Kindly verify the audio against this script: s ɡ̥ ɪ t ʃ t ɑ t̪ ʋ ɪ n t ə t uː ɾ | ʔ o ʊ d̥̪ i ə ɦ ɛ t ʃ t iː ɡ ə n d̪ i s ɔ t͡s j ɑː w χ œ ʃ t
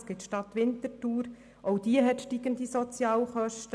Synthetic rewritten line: s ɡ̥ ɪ t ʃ t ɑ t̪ ʋ ɪ n t ə t uː ɾ | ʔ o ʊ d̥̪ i ə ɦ ɛ t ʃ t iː ɡ ə n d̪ i s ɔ t͡s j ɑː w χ œ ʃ t